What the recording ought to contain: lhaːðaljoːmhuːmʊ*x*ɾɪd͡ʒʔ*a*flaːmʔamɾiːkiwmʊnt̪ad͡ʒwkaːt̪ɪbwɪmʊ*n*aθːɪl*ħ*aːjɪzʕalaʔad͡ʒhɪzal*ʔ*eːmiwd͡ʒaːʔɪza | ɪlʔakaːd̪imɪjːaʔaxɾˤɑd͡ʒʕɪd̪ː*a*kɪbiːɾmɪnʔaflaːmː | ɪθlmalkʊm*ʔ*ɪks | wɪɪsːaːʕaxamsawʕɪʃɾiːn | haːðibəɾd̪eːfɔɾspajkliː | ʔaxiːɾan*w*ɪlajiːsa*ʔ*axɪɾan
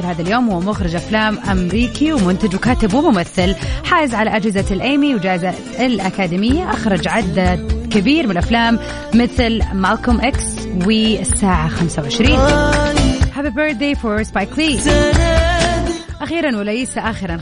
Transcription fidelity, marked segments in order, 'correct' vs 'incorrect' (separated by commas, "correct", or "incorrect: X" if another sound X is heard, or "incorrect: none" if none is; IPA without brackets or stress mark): correct, correct, incorrect: m, correct, correct, correct, correct, correct, correct